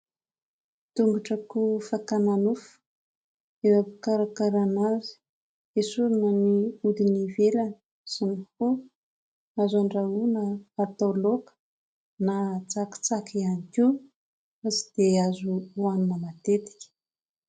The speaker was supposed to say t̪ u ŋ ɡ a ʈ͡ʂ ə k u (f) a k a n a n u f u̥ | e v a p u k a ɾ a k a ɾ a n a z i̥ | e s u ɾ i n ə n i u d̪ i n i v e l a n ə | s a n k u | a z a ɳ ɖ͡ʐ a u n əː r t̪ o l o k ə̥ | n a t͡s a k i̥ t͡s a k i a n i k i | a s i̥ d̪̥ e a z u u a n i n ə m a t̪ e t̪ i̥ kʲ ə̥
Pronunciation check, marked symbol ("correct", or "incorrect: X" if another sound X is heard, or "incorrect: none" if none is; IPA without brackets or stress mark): correct